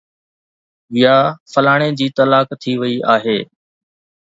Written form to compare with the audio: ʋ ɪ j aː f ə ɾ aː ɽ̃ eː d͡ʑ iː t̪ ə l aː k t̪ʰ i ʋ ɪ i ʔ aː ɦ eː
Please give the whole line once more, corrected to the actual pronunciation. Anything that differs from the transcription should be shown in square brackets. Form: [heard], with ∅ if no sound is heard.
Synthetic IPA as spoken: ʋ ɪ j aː f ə [l] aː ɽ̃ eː d͡ʑ iː t̪ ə l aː k t̪ʰ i ʋ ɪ i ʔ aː ɦ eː